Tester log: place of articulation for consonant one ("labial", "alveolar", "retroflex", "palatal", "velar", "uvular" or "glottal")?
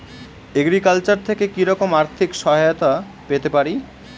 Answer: velar